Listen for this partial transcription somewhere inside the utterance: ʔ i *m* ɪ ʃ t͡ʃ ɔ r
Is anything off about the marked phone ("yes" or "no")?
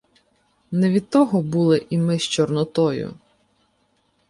no